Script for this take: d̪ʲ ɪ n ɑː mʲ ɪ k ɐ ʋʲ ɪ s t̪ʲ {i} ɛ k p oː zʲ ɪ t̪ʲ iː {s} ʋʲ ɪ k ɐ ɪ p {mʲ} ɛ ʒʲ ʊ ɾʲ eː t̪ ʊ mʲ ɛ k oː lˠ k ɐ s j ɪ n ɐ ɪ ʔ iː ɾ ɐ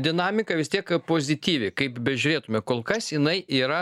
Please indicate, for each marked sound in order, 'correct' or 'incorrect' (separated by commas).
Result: correct, incorrect, incorrect